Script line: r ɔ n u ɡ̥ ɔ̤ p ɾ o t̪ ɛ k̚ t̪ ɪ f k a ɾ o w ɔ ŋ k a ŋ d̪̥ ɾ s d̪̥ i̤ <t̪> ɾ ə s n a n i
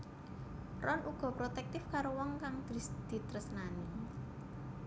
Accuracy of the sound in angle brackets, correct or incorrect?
correct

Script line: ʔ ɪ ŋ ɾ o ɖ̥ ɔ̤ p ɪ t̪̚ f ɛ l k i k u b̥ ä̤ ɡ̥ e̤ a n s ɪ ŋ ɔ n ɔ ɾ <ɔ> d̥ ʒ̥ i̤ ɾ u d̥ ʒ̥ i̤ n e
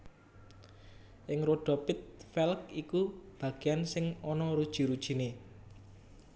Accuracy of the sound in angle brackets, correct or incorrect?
incorrect: u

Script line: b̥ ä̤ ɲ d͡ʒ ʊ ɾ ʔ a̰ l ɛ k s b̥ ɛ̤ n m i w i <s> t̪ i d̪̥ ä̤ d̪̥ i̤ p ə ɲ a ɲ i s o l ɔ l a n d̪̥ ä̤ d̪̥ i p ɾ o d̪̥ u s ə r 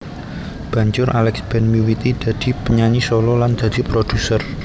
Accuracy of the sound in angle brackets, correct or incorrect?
incorrect: none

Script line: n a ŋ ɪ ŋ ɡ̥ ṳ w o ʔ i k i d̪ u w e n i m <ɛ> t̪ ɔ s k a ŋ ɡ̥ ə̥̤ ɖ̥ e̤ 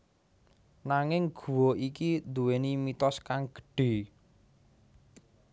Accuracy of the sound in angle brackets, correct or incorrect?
incorrect: i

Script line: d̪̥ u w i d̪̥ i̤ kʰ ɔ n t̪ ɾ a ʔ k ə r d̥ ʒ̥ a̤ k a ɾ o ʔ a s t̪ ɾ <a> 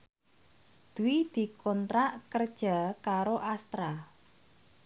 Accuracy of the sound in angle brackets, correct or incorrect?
correct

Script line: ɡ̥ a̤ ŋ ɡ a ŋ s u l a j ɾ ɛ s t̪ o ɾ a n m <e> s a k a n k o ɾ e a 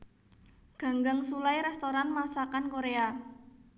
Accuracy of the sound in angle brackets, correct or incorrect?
incorrect: a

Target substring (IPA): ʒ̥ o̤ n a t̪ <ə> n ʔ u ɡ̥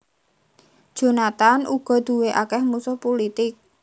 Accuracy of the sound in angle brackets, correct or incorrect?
incorrect: a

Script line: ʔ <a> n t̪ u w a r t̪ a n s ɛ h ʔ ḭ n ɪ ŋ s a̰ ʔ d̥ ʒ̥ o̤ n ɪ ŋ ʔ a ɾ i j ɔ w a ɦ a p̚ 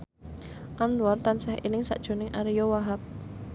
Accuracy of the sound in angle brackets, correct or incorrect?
correct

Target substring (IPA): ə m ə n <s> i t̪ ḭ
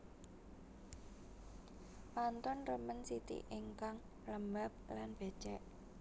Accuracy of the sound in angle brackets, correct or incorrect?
correct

